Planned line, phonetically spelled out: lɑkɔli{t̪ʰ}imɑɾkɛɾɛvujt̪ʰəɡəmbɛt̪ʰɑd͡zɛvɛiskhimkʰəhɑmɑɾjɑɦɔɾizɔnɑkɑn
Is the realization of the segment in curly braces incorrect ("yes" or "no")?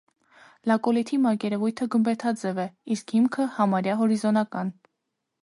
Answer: no